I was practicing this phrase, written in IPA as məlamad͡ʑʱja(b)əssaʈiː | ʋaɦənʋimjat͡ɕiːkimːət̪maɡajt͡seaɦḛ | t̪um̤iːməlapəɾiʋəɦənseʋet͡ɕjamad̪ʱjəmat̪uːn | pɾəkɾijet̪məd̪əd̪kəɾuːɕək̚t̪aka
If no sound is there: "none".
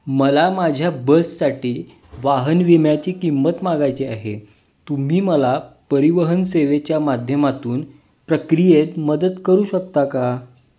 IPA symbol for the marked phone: b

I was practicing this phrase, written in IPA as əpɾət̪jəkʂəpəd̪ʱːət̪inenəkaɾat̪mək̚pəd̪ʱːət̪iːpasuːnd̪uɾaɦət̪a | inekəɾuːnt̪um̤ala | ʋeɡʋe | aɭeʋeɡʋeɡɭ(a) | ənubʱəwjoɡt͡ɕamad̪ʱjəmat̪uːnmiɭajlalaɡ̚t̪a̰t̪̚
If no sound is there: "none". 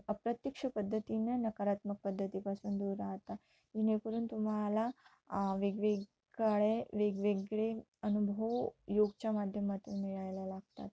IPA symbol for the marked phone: e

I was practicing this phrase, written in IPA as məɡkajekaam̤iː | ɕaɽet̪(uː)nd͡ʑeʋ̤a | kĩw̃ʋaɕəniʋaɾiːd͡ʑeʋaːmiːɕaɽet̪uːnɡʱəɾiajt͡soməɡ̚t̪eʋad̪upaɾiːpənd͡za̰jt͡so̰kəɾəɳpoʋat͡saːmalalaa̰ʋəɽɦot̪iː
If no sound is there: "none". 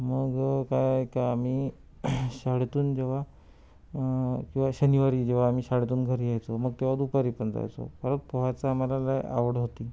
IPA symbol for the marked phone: uː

